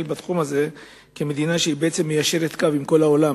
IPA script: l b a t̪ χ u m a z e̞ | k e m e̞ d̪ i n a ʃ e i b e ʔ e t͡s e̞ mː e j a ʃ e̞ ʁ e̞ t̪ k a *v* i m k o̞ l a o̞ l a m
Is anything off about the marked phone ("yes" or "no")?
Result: no